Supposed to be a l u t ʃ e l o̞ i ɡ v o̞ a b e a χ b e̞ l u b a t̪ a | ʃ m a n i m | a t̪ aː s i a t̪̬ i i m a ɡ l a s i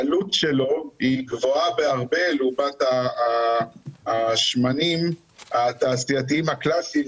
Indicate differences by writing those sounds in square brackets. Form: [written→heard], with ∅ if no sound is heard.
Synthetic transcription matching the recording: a l u t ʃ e l o̞ i ɡ v o̞ a b e a [χ→ʁ] b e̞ l u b a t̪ a | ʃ m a n i m | a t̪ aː s i a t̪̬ i i m a [ɡ→k] l a s i